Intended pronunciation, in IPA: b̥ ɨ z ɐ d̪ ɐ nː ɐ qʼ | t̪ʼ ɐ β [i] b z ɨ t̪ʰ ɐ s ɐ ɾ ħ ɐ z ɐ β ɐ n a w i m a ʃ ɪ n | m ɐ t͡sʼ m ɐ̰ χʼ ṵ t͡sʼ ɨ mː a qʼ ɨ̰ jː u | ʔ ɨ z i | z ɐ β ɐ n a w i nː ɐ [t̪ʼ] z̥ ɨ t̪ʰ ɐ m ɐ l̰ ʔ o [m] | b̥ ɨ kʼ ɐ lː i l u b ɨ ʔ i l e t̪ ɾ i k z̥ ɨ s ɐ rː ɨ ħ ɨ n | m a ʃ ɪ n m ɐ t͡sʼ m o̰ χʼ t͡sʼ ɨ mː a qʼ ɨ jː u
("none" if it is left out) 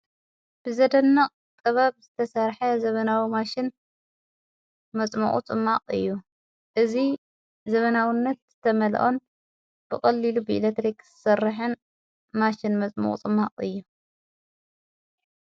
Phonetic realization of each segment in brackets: a, t̪, n

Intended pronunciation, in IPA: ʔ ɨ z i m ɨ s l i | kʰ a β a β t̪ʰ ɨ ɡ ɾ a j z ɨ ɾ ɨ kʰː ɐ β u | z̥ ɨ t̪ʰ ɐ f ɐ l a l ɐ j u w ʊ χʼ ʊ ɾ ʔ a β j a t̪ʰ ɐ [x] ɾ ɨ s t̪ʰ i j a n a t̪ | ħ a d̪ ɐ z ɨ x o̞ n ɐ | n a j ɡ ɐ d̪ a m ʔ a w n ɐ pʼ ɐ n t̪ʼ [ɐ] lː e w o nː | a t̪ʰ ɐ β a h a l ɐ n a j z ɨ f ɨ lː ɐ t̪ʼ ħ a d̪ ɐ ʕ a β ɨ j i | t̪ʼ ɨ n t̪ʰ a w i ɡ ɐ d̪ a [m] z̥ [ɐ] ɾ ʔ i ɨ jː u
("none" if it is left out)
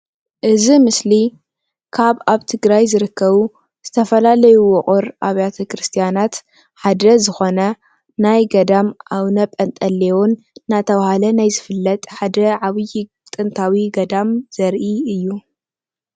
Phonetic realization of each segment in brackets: k, ɐ, m, ɐ

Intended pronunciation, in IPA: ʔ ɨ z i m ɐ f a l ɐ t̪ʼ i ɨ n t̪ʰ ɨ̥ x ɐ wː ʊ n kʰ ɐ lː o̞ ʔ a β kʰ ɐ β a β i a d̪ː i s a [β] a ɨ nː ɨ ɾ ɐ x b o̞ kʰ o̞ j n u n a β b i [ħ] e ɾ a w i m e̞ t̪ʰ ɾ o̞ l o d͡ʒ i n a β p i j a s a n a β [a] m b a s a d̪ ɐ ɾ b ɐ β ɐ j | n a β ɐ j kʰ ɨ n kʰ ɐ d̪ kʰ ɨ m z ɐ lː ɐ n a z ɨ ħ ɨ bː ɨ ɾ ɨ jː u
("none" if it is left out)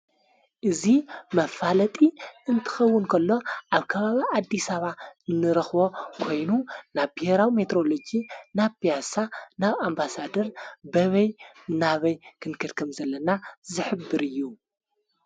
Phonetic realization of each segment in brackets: β, h, a

